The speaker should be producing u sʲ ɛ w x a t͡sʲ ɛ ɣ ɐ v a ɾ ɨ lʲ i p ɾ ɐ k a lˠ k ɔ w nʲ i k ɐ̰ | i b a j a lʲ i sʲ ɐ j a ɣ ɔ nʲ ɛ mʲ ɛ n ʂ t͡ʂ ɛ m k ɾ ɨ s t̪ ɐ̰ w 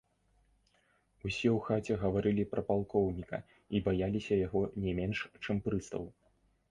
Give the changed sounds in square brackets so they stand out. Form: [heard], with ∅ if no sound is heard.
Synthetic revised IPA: u sʲ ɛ w x a t͡sʲ ɛ ɣ ɐ v a ɾ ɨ lʲ i p ɾ ɐ [p] a lˠ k ɔ w nʲ i k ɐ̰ | i b a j a lʲ i sʲ ɐ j a ɣ ɔ nʲ ɛ mʲ ɛ n ʂ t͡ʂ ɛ m [p] ɾ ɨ s t̪ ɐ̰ w